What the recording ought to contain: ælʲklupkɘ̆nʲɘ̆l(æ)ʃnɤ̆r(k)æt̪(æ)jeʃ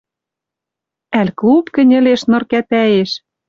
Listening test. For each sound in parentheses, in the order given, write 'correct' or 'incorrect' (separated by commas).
incorrect, correct, correct